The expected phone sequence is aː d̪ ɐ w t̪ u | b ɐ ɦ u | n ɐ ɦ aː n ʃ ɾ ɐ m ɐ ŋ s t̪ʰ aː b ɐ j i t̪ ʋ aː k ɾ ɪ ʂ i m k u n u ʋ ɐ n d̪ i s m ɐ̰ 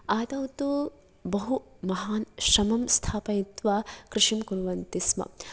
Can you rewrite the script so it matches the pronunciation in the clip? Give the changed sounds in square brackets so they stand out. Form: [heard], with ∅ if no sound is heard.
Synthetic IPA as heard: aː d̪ ɐ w t̪ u | b ɐ ɦ u | [m] ɐ ɦ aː n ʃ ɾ ɐ m ɐ [m] s t̪ʰ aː [p] ɐ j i t̪ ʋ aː k ɾ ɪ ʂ i m k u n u ʋ ɐ n [t̪] i s m ɐ̰

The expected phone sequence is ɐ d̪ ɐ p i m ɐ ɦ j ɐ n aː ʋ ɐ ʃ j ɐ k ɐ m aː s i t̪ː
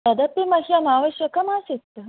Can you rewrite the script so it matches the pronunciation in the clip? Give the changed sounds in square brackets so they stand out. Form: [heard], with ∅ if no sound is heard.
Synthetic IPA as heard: ɐ d̪ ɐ p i m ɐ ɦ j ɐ n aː ʋ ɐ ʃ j ɐ k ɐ m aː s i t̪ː

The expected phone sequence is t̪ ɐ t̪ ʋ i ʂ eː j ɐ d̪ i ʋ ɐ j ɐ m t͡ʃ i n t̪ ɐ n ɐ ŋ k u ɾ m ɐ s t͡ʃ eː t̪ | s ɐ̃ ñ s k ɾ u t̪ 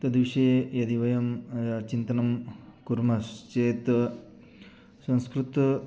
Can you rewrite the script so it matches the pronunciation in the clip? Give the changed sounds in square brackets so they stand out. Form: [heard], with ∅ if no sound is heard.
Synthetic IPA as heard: t̪ ɐ [d̪] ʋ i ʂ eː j ɐ d̪ i ʋ ɐ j ɐ m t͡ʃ i n t̪ ɐ n ɐ [m] k u ɾ m ɐ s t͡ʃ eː t̪ | s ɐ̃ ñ s k ɾ u t̪

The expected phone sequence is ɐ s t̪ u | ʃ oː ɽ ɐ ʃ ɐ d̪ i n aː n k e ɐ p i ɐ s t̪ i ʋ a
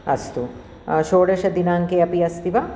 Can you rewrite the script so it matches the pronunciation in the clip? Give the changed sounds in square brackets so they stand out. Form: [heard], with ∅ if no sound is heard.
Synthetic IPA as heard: ɐ s t̪ u | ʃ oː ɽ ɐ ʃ ɐ d̪ i n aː [ŋ] k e ɐ p i ɐ s t̪ i ʋ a

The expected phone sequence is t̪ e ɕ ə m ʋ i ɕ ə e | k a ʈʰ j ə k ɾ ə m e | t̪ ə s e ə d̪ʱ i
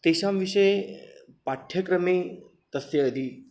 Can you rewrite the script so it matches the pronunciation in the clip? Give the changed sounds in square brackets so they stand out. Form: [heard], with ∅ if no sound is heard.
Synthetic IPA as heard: t̪ e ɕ [a] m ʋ i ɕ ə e | [p] a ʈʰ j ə k ɾ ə m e | t̪ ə s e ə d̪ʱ i

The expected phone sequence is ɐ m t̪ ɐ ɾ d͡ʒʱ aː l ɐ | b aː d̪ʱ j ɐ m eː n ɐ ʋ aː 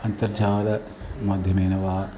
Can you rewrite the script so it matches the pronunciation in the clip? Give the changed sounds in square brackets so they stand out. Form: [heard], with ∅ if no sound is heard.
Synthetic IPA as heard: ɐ [n] t̪ ɐ ɾ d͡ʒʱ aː l ɐ | [m] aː d̪ʱ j ɐ m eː n ɐ ʋ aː

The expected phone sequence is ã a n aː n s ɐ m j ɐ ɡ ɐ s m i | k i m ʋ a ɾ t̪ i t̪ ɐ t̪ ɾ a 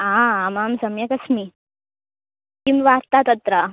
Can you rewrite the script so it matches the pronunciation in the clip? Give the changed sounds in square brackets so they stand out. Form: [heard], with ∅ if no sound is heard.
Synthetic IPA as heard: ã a [m] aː [m] s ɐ m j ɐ [k] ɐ s m i | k i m ʋ a ɾ t̪ [a] t̪ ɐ t̪ ɾ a

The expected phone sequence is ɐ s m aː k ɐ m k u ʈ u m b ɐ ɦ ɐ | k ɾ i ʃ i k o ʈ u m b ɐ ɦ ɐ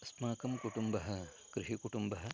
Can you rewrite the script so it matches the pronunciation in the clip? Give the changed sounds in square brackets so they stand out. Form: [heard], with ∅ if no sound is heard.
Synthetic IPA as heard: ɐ s m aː k ɐ m k u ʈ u m b ɐ ɦ ɐ | k ɾ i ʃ i k [u] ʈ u m b ɐ ɦ ɐ

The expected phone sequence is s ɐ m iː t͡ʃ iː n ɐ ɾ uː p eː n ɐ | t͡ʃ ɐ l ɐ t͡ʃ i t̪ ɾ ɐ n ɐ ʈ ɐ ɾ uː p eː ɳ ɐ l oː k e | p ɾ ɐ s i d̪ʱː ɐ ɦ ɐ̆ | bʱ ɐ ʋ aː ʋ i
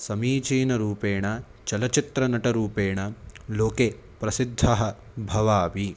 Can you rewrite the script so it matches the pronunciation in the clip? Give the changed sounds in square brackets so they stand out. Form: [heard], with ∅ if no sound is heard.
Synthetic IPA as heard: s ɐ m iː t͡ʃ iː n ɐ ɾ uː p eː [ɳ] ɐ | t͡ʃ ɐ l ɐ t͡ʃ i t̪ ɾ ɐ n ɐ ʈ ɐ ɾ uː p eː ɳ ɐ l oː k e | p ɾ ɐ s i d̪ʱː ɐ ɦ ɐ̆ | bʱ ɐ ʋ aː ʋ i

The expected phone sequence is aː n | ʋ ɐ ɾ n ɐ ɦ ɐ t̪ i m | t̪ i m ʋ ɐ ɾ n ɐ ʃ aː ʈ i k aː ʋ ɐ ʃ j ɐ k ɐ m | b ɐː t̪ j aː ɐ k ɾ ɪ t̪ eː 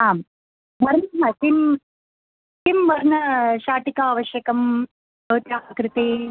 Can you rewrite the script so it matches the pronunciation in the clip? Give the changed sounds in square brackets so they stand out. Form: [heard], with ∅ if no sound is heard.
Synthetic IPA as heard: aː [m] | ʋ ɐ ɾ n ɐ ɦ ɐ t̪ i m | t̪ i m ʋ ɐ ɾ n ɐ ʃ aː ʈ i k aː ʋ ɐ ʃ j ɐ k ɐ m | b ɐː t̪ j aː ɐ k ɾ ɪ t̪ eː

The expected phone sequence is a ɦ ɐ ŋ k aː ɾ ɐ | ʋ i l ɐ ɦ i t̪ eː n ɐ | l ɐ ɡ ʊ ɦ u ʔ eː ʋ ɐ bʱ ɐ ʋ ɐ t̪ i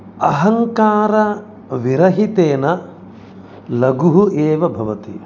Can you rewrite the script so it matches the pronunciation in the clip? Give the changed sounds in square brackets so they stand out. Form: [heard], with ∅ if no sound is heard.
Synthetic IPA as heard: [ɐ] ɦ ɐ ŋ k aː ɾ ɐ | ʋ i [ɾ] ɐ ɦ i t̪ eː n ɐ | l ɐ ɡ [u] ɦ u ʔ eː ʋ ɐ bʱ ɐ ʋ ɐ t̪ i

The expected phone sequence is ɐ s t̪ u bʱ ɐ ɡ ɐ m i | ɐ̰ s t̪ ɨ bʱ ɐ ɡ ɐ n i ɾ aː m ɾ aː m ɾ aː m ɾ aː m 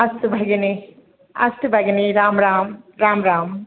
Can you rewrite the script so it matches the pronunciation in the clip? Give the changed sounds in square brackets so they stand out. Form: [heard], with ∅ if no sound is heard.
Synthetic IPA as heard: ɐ s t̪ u bʱ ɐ ɡ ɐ [n] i | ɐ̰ s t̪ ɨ bʱ ɐ ɡ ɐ n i ɾ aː m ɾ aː m ɾ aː m ɾ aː m

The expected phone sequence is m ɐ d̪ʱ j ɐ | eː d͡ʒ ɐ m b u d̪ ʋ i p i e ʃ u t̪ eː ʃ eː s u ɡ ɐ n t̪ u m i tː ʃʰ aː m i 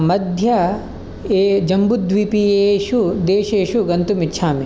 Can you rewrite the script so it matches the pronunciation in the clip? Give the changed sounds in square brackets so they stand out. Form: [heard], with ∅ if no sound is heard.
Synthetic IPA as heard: m ɐ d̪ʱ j ɐ | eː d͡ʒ ɐ m b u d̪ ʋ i p i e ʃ u [d̪] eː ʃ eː [ʃ] u ɡ ɐ n t̪ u m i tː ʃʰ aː m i

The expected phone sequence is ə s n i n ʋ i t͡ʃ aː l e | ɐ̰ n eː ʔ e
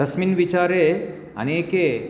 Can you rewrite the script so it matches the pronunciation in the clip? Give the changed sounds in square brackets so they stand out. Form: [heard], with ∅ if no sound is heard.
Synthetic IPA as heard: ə s [m] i n ʋ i t͡ʃ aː [ɾ] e | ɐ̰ n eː [k] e

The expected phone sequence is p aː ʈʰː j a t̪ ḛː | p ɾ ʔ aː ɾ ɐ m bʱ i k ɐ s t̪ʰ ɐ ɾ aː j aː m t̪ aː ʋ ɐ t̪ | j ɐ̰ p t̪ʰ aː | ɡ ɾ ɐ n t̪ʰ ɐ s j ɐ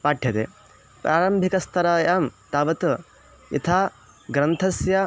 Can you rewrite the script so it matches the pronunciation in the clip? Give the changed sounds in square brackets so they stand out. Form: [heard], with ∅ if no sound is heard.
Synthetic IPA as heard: p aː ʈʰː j [ɐ] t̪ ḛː | p ɾ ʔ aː ɾ ɐ m bʱ i k ɐ s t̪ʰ ɐ ɾ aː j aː m t̪ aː ʋ ɐ t̪ | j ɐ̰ [∅] t̪ʰ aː | ɡ ɾ ɐ n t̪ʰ ɐ s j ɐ

